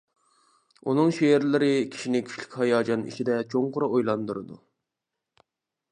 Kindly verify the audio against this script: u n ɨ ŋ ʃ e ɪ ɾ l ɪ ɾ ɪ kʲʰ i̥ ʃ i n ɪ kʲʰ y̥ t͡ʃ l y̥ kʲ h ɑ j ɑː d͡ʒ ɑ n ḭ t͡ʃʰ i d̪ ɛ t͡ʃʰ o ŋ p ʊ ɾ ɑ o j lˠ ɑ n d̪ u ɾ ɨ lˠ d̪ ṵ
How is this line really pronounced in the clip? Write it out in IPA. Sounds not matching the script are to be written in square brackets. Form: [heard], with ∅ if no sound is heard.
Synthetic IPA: u n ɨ ŋ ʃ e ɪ ɾ l ɪ ɾ ɪ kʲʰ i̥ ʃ i n ɪ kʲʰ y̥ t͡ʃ l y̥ kʲ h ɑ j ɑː d͡ʒ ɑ n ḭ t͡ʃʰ i d̪ ɛ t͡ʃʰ o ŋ [q] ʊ ɾ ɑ o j lˠ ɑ n d̪ u ɾ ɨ [∅] d̪ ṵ

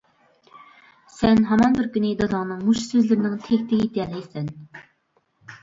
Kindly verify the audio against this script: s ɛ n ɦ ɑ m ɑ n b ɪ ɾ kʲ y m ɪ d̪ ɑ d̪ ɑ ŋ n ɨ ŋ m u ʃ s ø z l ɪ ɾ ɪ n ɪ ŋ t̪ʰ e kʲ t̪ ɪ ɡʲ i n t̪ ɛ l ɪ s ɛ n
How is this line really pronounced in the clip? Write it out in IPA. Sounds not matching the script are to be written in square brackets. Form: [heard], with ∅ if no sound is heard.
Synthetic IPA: s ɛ n ɦ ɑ m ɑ n b ɪ ɾ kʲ y [n] ɪ d̪ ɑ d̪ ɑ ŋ n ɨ ŋ m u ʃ s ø z l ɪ ɾ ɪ n ɪ ŋ t̪ʰ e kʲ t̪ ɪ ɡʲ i [∅] t̪ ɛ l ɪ s ɛ n

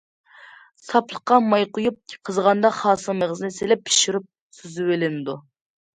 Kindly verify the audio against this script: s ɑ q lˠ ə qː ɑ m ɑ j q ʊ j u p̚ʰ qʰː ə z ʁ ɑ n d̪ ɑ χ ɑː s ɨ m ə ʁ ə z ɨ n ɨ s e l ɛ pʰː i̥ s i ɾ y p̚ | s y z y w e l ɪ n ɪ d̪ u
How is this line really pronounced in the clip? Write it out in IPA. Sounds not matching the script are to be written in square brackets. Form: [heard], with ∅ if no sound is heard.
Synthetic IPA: s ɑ [p] lˠ ə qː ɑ m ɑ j q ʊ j u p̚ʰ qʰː ə z ʁ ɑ n d̪ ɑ χ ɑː s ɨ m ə ʁ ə z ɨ n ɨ s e l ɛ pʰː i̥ [ʃ] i ɾ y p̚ | s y z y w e l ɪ n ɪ d̪ u

